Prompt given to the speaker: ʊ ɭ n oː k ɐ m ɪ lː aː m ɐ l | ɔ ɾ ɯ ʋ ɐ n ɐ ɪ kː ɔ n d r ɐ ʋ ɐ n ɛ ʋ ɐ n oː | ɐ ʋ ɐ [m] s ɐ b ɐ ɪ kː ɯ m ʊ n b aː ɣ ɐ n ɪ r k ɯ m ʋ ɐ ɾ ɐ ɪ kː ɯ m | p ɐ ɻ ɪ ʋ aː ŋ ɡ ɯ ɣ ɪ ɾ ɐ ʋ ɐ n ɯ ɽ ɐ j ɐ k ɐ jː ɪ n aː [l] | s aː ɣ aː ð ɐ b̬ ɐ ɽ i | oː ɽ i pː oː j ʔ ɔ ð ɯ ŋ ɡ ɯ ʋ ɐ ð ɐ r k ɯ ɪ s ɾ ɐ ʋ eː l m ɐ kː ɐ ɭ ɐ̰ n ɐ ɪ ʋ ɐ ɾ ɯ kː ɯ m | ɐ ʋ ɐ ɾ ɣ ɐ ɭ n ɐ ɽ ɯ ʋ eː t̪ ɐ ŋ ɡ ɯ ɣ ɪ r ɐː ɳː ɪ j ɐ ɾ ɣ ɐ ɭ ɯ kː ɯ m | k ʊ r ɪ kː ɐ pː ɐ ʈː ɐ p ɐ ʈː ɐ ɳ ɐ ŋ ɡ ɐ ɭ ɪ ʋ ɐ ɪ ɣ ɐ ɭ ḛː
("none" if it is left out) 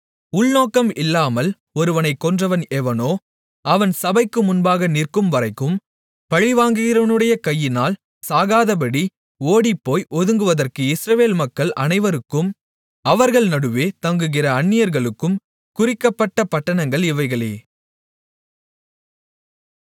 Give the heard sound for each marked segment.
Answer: n, l

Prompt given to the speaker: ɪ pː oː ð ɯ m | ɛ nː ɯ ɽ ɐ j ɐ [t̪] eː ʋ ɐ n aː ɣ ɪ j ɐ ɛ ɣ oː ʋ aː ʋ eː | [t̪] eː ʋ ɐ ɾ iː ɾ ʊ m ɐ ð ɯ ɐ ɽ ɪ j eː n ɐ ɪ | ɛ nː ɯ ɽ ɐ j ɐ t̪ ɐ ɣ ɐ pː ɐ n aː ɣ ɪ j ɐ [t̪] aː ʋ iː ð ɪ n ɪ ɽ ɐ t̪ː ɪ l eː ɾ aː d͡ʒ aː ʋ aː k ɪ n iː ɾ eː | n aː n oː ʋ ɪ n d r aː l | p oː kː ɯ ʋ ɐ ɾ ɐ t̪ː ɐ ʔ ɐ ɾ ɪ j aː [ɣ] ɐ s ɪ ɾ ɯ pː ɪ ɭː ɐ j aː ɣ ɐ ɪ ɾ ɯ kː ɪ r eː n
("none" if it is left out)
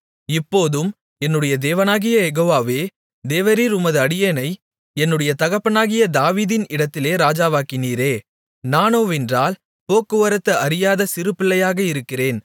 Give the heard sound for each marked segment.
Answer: d̪, d̪, d̪, ð

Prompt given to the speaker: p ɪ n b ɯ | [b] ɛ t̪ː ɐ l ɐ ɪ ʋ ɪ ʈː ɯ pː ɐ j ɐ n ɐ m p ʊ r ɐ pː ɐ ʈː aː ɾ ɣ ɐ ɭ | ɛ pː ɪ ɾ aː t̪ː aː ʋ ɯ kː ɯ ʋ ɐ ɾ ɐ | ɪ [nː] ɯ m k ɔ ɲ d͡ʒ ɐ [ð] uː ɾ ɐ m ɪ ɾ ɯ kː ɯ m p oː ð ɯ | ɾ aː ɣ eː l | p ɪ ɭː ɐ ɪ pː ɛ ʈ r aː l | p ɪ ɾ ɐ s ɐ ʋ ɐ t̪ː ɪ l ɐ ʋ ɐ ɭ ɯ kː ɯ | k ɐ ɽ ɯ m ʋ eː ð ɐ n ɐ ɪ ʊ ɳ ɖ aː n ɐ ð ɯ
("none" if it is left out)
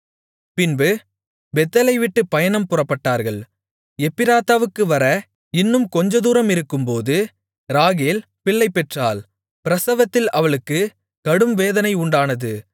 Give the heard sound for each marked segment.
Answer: b, nː, ð

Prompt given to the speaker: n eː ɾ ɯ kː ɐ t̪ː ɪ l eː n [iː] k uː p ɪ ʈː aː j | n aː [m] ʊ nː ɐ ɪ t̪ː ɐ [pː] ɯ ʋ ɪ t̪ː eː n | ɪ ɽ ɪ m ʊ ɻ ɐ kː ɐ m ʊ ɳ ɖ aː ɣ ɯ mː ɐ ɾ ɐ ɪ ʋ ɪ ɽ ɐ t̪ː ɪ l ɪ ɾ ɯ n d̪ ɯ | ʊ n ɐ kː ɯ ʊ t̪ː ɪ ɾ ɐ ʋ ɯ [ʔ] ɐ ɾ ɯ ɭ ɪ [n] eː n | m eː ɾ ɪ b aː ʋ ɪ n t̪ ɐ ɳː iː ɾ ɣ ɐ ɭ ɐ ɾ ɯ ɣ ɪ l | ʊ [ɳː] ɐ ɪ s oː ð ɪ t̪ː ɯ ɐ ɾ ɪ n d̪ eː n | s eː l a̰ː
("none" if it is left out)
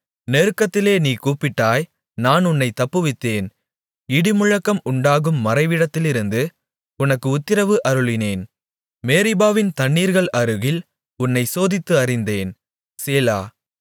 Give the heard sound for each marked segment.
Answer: iː, n, pː, ʔ, n, nː

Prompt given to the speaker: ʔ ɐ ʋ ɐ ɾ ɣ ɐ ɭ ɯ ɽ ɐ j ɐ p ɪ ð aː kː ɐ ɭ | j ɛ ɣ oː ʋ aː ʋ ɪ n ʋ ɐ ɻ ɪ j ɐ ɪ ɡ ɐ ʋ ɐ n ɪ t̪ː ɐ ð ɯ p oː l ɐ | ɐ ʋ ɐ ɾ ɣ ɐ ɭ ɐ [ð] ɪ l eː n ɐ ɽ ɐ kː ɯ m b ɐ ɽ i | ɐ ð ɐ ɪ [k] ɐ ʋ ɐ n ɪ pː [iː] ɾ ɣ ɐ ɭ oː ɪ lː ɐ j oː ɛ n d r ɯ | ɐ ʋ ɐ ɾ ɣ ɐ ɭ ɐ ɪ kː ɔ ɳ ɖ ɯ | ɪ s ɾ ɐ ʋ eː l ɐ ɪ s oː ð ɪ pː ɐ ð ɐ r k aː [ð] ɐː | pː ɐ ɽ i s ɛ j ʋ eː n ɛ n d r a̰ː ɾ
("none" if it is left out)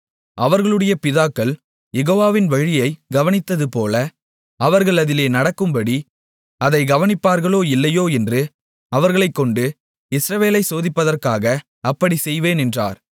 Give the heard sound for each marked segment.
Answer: ð, ɡ, aː, ɣ

